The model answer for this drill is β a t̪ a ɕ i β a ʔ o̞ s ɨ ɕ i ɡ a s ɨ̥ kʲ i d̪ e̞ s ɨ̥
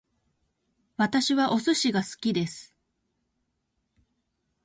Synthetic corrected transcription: β a t̪ a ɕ i β a ʔ o̞ s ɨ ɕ i ɡ a s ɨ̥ kʲ i d̪ e̞ s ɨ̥